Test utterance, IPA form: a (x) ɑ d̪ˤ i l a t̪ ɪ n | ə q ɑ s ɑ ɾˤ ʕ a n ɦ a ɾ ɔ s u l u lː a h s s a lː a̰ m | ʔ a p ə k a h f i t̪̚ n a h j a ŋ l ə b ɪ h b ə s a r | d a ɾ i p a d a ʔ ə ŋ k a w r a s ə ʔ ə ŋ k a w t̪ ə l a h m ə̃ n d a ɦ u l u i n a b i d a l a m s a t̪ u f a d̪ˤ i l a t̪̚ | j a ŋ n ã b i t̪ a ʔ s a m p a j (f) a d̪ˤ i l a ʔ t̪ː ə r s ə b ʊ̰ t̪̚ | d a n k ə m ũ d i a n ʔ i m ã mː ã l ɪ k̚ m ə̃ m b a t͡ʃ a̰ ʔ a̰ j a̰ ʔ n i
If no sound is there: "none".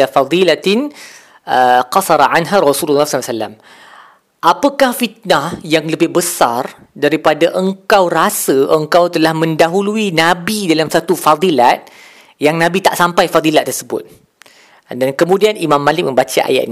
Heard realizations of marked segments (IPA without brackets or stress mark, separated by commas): f, f